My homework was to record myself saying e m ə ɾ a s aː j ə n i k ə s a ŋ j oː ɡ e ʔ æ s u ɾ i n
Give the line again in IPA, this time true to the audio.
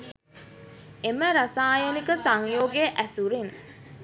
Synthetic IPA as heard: e m ə ɾ a s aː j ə n i k ə s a ŋ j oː ɡ e ʔ æ s u ɾ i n